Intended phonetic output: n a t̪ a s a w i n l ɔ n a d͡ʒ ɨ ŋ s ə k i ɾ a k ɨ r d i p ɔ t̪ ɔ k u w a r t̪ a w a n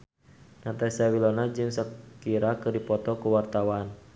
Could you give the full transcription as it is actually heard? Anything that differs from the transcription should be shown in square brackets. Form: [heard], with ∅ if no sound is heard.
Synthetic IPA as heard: n a t̪ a s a w i [∅] l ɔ n a d͡ʒ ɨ ŋ s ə k i ɾ a k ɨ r d i p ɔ t̪ ɔ k u w a r t̪ a w a n